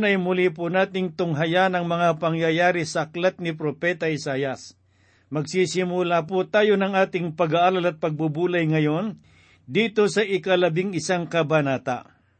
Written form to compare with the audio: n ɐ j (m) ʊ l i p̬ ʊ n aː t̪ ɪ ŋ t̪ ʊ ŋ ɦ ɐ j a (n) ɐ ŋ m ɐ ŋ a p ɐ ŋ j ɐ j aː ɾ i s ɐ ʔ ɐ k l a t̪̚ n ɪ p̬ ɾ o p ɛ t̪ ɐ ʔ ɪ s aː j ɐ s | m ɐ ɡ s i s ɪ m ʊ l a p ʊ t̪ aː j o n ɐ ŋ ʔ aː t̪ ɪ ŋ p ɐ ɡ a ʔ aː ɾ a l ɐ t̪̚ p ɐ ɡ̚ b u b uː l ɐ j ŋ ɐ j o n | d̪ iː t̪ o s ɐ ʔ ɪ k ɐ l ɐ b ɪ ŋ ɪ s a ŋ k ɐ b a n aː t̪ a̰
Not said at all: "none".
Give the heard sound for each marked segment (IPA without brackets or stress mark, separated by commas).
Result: m, n